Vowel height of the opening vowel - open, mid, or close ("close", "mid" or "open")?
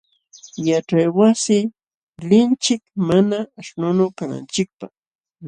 open